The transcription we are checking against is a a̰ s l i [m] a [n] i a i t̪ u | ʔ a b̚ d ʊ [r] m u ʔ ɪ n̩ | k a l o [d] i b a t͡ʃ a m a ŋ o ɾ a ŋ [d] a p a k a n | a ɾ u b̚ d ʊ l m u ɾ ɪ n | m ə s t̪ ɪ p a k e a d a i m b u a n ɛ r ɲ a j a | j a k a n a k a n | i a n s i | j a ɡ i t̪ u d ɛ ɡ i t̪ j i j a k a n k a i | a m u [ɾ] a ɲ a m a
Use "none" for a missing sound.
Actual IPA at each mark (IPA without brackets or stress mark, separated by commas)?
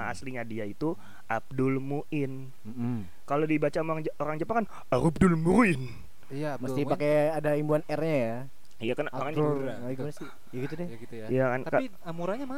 ɲ, d, l, d, d͡ʒ, ɾ